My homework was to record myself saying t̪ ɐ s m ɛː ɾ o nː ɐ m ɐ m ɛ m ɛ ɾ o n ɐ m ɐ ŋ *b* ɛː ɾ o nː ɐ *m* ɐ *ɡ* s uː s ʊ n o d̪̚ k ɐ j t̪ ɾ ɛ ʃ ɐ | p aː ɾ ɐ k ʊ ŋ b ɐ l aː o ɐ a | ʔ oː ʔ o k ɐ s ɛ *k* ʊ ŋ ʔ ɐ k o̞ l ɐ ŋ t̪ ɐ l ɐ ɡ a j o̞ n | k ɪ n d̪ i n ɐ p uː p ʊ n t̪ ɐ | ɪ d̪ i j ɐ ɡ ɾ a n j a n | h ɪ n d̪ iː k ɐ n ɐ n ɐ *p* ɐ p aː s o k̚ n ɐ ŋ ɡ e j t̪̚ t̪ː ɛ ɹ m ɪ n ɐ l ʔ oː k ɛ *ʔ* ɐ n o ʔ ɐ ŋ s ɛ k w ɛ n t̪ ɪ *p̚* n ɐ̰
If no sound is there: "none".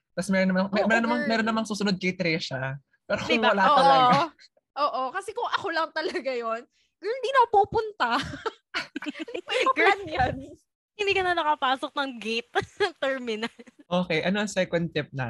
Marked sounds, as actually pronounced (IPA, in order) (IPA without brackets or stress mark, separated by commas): m, m, ŋ, k, k, ʔ, p̚